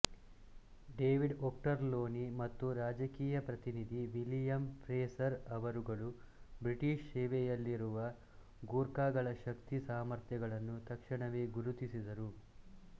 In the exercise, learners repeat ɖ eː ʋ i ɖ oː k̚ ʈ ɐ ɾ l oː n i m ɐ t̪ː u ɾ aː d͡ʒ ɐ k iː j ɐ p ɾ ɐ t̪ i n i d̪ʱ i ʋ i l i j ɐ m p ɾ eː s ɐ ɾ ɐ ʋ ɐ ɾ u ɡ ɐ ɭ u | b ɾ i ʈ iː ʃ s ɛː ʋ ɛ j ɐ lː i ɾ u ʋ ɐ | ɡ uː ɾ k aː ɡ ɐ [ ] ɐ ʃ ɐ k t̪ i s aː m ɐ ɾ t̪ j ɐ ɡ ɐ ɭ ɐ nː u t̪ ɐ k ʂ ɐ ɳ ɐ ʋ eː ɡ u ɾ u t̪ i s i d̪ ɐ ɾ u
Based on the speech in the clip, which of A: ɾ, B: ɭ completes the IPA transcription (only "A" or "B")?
B